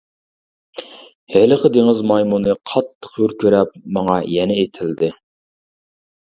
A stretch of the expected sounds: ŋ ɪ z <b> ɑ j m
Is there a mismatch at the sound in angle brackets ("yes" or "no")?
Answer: yes